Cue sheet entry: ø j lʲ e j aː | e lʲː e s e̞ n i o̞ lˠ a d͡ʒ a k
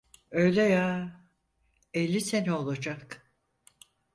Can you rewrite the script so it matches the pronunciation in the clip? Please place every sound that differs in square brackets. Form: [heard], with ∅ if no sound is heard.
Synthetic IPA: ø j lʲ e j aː | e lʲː [i] s e̞ n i o̞ lˠ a d͡ʒ a k